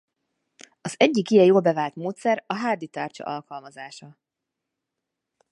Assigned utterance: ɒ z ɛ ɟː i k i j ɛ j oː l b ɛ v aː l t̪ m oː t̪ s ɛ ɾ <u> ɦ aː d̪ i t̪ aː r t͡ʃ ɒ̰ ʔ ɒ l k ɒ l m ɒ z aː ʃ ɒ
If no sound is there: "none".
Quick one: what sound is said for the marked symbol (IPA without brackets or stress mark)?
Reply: ɒ